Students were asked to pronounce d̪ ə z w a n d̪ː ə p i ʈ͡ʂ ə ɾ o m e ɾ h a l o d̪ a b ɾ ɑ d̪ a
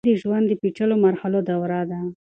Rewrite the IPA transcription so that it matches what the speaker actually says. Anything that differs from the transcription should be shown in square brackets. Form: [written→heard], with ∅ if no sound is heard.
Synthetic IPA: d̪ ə [z→ʒ] w a n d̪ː ə p i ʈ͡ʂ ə [ɾ→l] o m [e→a] ɾ h a l o d̪ a [b→w] ɾ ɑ d̪ a